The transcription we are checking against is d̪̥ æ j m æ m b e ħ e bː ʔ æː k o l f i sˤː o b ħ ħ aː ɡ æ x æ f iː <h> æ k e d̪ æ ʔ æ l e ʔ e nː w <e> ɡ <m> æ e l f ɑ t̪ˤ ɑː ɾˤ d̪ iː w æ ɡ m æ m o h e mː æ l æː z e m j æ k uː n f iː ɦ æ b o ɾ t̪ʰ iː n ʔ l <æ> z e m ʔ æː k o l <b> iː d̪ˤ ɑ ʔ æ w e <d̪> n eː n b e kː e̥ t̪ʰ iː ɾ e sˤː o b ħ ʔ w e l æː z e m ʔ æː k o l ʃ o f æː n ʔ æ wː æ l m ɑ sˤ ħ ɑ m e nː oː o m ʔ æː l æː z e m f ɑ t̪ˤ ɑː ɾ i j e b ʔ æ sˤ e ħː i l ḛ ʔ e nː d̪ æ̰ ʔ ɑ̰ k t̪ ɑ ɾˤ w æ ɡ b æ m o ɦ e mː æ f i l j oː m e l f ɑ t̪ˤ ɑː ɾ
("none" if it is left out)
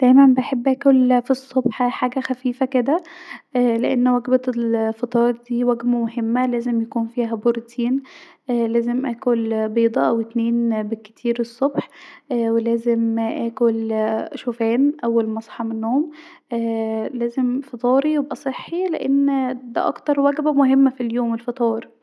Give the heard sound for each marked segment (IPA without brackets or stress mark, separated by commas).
f, æ, b, æː, b, t̪